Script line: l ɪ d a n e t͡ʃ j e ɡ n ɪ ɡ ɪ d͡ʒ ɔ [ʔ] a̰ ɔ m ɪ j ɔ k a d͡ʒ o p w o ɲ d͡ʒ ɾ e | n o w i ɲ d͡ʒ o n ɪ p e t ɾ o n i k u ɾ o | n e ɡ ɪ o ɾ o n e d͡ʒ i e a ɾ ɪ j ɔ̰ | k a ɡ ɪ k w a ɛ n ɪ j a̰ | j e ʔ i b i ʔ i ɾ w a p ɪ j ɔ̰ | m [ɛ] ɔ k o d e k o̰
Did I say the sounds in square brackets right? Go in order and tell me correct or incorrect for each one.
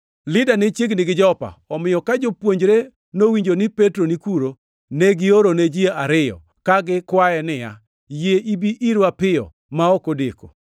incorrect, incorrect

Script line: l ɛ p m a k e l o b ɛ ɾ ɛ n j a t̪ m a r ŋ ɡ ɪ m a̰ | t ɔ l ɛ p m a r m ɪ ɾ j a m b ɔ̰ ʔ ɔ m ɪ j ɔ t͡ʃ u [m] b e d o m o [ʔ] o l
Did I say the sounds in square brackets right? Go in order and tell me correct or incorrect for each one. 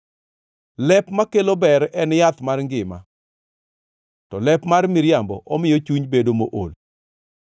incorrect, correct

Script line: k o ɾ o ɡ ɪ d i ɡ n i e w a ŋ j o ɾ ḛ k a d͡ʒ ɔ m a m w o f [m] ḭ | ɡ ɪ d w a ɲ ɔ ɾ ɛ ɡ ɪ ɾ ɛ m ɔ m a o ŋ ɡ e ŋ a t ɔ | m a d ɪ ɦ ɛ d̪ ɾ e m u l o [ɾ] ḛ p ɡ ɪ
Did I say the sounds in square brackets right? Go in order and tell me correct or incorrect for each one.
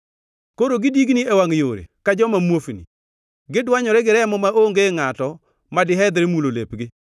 incorrect, incorrect

